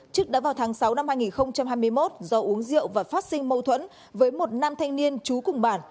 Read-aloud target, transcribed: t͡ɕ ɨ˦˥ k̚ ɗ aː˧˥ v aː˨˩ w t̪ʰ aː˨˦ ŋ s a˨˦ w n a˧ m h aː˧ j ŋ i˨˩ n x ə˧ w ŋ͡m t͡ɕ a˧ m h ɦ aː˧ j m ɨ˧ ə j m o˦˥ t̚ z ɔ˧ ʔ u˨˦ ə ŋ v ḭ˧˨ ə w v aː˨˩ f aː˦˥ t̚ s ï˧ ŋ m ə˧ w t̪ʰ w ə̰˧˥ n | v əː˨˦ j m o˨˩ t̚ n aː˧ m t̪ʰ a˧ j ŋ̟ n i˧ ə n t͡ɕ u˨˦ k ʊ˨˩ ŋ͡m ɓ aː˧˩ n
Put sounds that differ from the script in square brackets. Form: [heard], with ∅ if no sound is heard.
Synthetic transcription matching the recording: t͡ɕ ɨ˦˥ k̚ ɗ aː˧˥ v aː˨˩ w t̪ʰ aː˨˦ ŋ s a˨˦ w n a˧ m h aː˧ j ŋ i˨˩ n x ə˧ w ŋ͡m t͡ɕ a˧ m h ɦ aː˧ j m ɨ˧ ə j m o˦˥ t̚ z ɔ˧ ʔ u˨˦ ə ŋ [z] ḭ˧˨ ə w v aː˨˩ f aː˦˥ t̚ s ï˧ ŋ m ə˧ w t̪ʰ w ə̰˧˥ n | v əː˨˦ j m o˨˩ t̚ n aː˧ m t̪ʰ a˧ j ŋ̟ n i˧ ə n t͡ɕ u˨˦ k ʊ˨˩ ŋ͡m ɓ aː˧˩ n